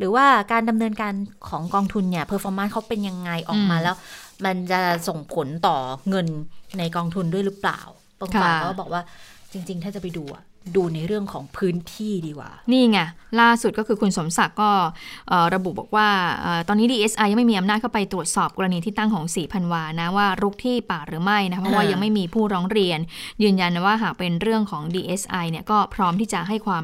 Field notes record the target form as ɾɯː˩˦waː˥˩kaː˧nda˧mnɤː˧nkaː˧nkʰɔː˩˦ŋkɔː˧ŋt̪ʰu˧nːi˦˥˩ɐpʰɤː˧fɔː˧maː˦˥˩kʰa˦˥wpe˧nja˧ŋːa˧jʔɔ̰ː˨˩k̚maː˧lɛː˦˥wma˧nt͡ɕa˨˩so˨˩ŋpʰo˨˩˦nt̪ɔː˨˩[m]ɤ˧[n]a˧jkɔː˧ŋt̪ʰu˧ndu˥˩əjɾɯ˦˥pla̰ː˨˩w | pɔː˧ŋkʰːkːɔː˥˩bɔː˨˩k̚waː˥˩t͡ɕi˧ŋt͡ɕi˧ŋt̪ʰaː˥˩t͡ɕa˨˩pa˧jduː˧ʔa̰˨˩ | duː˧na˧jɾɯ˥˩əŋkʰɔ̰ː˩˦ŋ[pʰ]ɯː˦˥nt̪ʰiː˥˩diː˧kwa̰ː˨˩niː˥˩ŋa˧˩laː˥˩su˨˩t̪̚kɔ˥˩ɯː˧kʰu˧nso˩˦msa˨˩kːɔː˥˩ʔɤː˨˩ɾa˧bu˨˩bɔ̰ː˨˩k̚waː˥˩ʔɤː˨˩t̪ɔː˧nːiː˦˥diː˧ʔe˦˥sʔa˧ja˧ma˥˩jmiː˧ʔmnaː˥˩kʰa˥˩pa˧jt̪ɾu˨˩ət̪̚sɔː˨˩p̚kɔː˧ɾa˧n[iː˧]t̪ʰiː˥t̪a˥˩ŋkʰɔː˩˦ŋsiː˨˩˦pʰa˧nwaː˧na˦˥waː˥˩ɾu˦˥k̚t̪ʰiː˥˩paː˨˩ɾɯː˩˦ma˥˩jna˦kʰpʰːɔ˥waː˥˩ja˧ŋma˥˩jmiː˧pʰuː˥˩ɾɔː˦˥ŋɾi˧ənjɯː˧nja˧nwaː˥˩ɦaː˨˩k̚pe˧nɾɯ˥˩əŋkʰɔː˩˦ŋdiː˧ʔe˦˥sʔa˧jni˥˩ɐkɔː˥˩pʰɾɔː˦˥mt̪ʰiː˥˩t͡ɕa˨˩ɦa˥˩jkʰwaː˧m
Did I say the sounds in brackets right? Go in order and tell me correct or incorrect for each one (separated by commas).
incorrect, incorrect, correct, correct